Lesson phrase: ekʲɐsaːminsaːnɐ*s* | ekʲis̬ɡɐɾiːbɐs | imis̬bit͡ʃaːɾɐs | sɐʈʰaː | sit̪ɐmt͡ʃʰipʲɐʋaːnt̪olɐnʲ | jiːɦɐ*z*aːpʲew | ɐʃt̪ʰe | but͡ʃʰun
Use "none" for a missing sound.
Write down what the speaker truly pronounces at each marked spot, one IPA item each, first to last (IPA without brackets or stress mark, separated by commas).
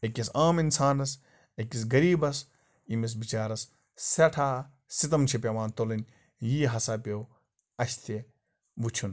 s, s